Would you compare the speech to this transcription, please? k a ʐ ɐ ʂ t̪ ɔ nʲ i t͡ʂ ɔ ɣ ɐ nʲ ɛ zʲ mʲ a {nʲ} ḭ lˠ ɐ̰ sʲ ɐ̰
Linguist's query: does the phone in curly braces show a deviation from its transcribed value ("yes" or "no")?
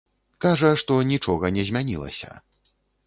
no